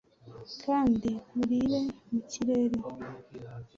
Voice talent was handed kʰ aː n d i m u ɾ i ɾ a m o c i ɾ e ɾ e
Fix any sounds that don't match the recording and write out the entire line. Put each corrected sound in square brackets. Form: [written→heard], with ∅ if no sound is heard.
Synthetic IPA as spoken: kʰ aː n d i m u ɾ i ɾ [a→e] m [o→u] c i ɾ e ɾ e